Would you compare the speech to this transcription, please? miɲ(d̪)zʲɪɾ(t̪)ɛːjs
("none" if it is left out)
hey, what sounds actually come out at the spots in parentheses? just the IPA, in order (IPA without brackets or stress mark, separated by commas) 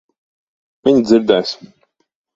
d̪, d̪